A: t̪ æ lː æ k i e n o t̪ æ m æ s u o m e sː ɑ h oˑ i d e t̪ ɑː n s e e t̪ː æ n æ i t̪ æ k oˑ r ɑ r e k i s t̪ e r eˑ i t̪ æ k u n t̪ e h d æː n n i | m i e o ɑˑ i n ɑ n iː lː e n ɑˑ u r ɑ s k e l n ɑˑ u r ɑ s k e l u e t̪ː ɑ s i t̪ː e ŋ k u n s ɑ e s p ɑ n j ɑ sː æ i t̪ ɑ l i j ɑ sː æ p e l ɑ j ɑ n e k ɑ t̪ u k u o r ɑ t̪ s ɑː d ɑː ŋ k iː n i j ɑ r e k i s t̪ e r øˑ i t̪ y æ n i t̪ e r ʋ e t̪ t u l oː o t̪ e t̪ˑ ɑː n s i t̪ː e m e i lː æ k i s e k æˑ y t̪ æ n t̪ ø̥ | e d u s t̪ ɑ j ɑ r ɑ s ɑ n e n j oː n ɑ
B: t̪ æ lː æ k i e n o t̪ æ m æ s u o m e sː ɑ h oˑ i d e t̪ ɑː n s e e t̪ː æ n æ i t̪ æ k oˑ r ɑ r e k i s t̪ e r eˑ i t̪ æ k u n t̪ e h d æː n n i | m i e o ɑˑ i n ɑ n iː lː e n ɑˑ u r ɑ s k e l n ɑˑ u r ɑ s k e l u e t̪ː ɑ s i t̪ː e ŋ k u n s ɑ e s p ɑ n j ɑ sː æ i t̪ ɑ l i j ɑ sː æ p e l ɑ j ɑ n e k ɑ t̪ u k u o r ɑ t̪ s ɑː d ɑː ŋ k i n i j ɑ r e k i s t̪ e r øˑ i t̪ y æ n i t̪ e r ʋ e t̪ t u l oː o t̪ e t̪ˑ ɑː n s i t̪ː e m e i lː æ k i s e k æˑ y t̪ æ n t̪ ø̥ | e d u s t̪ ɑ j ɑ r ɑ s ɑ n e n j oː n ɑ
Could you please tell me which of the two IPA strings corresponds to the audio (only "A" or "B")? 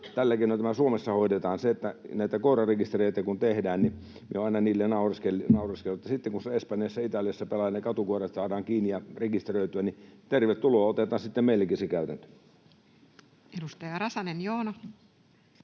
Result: A